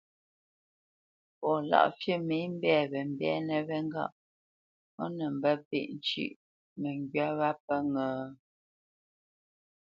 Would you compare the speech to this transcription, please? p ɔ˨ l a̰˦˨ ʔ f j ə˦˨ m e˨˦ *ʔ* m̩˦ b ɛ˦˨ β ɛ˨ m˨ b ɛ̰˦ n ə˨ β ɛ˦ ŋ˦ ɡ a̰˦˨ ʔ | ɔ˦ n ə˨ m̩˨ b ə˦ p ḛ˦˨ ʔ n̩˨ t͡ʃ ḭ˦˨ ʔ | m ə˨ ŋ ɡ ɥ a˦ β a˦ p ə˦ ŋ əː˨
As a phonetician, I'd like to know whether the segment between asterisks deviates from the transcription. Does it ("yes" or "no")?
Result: yes